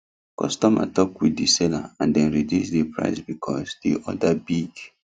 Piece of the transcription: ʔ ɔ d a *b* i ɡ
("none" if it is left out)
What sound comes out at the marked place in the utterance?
b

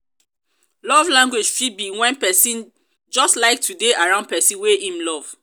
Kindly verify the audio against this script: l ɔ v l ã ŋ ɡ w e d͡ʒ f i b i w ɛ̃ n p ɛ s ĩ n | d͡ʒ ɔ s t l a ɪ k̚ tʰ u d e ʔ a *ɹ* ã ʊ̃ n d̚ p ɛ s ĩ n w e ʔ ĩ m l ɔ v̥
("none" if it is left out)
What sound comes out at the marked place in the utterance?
ɹ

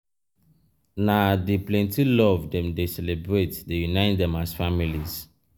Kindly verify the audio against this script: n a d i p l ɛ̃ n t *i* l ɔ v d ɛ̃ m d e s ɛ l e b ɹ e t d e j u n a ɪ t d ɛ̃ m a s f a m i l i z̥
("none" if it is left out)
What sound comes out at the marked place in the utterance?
i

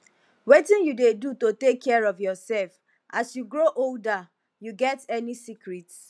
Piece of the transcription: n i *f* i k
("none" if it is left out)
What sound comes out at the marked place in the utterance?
s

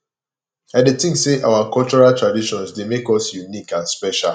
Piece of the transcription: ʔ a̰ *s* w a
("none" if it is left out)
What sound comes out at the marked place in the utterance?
none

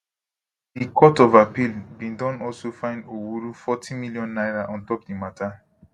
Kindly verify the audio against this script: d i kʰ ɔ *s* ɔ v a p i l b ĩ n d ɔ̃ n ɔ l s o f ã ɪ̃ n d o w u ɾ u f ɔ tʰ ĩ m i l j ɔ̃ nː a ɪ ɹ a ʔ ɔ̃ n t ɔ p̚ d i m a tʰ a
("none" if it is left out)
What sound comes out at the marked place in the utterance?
t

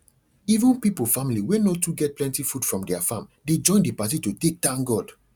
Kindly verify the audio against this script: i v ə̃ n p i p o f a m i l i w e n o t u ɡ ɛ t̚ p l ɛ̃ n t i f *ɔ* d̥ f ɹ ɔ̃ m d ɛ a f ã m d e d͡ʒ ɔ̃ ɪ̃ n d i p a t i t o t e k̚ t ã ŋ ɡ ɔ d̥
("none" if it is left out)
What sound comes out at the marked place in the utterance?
u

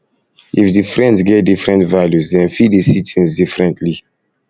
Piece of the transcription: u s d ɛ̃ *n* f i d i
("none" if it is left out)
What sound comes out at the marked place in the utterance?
n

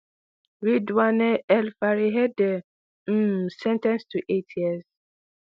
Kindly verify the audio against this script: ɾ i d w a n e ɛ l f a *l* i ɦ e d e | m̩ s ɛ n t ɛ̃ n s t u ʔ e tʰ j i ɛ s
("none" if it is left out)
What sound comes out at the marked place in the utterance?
ɾ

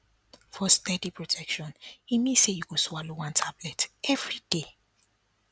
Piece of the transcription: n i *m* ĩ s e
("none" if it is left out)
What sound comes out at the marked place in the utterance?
m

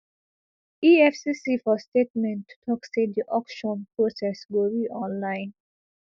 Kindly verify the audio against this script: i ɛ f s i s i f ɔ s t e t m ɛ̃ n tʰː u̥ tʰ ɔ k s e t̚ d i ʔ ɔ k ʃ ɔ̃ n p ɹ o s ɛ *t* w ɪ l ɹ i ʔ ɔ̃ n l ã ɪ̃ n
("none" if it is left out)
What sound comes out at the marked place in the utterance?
s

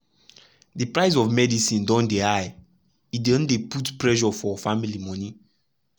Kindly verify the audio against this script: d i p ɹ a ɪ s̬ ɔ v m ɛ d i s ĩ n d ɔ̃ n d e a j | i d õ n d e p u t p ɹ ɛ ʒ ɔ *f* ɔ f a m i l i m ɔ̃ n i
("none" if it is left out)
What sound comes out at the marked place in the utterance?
f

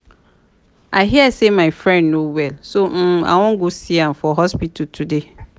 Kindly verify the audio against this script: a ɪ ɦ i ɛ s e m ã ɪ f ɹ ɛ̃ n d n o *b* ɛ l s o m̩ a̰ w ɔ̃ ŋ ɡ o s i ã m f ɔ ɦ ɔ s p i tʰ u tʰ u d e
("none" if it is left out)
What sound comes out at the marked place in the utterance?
w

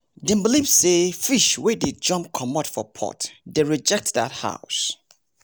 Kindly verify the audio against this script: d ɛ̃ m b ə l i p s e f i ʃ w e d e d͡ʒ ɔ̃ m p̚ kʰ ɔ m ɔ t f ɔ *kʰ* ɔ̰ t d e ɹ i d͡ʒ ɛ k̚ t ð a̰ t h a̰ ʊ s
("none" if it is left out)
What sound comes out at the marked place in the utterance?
pʰ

